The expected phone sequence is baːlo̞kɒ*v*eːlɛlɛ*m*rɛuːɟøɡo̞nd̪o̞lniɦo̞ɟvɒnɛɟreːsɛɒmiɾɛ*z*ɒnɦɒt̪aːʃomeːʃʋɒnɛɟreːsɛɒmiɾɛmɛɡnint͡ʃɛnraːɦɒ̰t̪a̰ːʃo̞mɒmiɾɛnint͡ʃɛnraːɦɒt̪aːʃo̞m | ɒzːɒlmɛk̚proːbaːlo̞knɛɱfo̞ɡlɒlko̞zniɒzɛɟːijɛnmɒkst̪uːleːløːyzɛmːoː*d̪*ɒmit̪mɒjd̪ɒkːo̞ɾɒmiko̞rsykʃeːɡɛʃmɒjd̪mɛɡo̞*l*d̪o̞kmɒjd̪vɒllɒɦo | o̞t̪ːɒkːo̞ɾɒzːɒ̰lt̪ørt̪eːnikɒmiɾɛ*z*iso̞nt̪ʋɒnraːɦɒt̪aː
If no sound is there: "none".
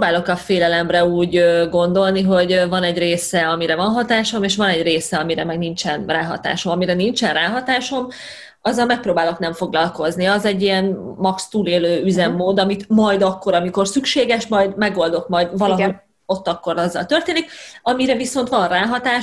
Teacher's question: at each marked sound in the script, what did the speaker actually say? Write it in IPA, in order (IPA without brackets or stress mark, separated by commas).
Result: f, m, v, d̪, l, v